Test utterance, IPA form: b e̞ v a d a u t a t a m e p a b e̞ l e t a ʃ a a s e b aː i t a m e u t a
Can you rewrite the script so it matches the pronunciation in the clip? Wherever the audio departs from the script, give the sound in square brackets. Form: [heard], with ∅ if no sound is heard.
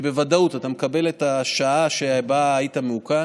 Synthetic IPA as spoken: b e̞ v a d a u t a t a m e [k] a b e̞ l e t a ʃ a a [ʃ] e b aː i t a m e u [k] a